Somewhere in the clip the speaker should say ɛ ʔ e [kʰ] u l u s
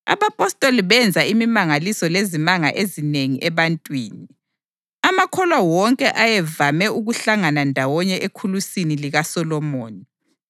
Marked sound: correct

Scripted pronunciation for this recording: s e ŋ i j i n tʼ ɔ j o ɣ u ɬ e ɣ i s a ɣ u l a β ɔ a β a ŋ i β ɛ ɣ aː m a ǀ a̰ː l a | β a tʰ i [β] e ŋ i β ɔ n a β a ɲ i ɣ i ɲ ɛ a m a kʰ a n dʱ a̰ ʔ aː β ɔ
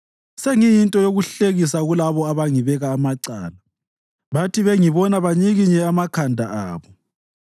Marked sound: correct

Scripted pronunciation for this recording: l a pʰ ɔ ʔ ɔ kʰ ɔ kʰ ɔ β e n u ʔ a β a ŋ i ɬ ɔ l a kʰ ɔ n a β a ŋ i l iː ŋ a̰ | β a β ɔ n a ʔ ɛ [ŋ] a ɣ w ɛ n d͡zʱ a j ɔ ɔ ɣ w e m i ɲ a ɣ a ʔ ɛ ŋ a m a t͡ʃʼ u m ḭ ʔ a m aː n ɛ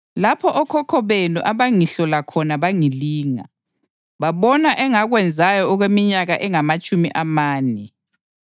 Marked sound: correct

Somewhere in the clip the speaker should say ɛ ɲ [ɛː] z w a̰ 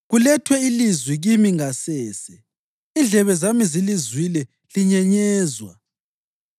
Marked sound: correct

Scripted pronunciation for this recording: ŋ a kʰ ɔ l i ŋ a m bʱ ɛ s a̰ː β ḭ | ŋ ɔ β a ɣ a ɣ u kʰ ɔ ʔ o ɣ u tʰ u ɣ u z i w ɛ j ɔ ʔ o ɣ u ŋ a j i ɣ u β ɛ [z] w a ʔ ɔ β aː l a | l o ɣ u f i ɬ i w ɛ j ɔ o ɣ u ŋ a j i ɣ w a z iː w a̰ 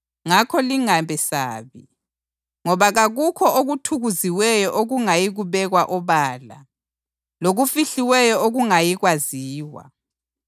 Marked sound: incorrect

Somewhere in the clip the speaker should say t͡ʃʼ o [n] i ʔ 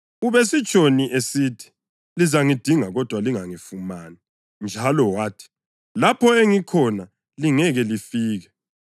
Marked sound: correct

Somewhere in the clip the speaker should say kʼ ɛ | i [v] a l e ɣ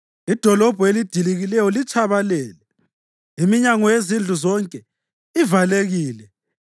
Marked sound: correct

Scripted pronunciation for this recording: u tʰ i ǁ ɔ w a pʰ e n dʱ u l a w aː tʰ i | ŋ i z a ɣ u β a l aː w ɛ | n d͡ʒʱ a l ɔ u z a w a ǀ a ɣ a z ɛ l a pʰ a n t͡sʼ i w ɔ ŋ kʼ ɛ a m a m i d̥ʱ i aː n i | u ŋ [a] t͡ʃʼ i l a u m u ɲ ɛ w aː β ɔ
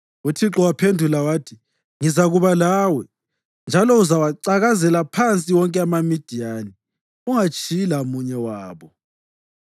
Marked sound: correct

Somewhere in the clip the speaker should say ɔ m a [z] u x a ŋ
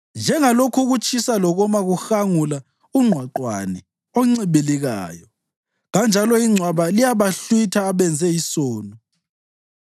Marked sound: incorrect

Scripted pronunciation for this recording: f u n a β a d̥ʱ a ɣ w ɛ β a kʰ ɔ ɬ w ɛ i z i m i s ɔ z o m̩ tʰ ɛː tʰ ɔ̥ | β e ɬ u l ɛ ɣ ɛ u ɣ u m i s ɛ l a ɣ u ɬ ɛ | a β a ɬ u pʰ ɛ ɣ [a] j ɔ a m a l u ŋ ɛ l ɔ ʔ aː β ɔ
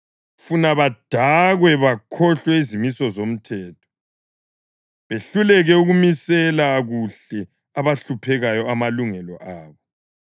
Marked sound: correct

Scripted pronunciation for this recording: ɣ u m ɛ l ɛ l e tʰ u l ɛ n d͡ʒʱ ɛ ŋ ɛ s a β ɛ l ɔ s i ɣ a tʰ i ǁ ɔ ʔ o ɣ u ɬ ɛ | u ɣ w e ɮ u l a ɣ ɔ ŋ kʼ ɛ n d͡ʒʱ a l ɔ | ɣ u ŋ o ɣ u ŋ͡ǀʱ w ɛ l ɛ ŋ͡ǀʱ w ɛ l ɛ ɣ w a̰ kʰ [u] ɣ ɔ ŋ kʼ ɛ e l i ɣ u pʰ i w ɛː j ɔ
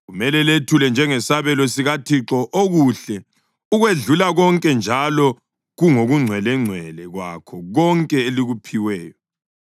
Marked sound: incorrect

